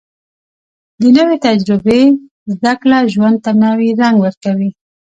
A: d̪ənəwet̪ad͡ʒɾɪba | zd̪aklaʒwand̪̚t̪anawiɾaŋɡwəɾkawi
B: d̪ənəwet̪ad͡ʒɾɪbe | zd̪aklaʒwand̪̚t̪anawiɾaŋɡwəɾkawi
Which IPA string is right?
B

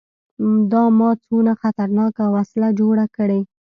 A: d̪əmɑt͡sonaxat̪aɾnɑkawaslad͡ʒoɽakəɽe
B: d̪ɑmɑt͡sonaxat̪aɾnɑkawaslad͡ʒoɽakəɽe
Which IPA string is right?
B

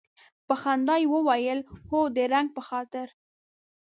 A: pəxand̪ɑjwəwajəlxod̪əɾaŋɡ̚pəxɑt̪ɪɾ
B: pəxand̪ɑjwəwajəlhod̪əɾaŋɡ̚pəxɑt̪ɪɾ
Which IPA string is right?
B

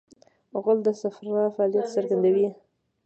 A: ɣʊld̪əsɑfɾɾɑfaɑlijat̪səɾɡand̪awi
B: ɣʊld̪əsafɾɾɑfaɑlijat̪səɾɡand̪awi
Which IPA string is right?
B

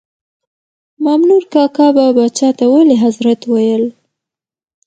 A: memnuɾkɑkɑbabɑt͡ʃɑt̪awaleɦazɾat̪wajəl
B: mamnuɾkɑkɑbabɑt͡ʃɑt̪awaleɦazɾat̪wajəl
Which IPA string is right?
B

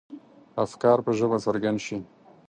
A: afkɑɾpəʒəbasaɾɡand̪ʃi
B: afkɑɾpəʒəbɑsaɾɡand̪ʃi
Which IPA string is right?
A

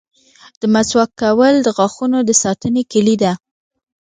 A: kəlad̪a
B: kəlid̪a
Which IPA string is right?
B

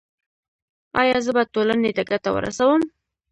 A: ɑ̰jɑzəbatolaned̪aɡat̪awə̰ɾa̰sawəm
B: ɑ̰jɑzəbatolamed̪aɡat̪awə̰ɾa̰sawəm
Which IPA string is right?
A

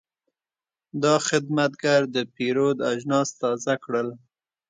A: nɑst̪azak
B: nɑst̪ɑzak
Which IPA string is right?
B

